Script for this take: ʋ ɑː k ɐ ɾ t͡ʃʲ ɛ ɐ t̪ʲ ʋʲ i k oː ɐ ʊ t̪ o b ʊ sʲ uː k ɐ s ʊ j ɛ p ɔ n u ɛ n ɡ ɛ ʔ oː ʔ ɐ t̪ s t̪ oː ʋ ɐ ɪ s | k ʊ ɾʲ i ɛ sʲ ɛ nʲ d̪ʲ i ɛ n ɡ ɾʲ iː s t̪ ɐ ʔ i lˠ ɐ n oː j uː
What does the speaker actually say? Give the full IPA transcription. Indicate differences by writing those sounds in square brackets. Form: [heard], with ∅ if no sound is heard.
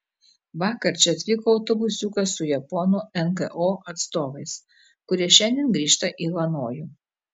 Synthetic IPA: ʋ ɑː k ɐ ɾ t͡ʃʲ ɛ ɐ t̪ʲ ʋʲ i k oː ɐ ʊ t̪ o b ʊ sʲ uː k ɐ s ʊ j ɛ p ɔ n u ɛ n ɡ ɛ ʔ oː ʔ ɐ t̪ s t̪ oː ʋ ɐ ɪ s | k ʊ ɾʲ i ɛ [ʃʲ] ɛ nʲ d̪ʲ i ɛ n ɡ ɾʲ iː [ʃ] t̪ ɐ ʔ i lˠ ɐ n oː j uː